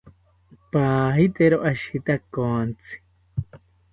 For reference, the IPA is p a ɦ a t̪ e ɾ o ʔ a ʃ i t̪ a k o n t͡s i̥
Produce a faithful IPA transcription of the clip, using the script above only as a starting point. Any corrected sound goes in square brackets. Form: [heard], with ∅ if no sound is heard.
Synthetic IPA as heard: p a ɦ [i] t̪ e ɾ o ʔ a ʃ i t̪ a k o n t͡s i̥